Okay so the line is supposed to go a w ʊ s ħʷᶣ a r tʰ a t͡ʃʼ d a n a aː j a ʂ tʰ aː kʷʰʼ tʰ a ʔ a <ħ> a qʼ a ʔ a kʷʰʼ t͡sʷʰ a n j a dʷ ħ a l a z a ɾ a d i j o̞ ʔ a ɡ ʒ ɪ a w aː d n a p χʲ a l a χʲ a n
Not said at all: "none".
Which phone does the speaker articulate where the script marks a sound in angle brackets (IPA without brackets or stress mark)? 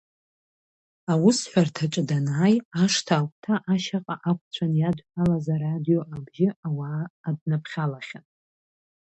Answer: ʃ